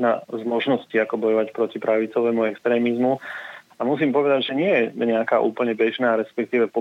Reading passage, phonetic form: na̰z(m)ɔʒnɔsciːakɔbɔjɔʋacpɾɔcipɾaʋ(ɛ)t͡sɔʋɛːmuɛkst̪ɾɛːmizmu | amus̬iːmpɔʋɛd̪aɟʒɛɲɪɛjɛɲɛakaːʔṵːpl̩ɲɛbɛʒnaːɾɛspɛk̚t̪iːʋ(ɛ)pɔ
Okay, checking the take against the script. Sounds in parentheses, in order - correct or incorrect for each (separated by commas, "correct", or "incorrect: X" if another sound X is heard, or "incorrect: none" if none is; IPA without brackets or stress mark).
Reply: correct, incorrect: i, correct